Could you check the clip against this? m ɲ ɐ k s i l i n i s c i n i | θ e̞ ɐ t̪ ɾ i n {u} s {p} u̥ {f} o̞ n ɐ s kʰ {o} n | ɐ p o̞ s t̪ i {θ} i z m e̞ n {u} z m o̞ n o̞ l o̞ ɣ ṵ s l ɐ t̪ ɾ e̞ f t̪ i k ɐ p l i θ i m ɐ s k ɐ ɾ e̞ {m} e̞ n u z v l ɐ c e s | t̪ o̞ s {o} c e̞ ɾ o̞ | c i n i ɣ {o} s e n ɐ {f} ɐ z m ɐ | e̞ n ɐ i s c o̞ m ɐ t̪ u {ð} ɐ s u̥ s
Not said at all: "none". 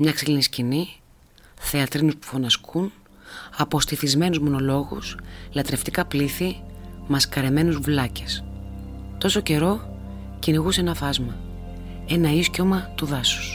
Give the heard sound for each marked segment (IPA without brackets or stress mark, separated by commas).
u, p, f, u, θ, u, m, o, u, f, ð